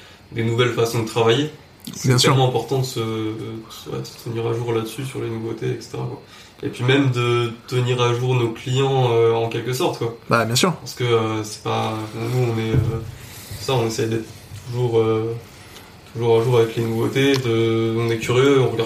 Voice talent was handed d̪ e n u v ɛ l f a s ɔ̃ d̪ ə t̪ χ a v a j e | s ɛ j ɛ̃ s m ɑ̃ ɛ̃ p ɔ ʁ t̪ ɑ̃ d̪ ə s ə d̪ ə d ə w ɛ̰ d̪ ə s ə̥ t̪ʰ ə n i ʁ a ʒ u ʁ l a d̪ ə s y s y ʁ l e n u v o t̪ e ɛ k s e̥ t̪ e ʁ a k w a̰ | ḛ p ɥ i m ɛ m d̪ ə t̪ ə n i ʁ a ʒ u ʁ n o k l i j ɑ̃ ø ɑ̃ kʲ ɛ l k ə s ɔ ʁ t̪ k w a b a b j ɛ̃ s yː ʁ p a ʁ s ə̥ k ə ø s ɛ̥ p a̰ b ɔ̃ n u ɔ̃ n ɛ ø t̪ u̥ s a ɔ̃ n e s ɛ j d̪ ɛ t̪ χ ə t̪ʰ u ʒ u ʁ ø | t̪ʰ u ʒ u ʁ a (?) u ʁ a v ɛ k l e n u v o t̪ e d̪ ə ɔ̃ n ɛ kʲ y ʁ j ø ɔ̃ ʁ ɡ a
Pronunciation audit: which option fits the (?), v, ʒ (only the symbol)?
ʒ